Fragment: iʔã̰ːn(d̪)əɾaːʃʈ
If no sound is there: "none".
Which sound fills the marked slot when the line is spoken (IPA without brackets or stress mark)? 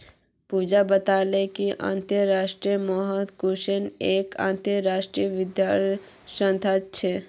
t̪